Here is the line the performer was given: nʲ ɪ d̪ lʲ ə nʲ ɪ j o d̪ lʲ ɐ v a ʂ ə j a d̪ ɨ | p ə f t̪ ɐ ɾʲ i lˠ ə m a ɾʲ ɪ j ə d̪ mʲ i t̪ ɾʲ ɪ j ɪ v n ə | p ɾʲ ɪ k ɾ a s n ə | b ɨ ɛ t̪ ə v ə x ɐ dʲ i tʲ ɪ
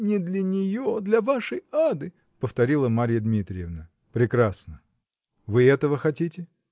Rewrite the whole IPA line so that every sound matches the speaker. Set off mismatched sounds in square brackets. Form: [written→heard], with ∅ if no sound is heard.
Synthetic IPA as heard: nʲ ɪ d̪ lʲ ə nʲ ɪ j o d̪ lʲ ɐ v a ʂ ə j a d̪ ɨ | p ə f t̪ ɐ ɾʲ i lˠ ə m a ɾʲ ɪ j ə d̪ mʲ i t̪ ɾʲ ɪ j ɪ v n ə | p ɾʲ ɪ k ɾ a s n ə | [b→v] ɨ ɛ t̪ ə v ə x ɐ [dʲ→tʲ] i tʲ ɪ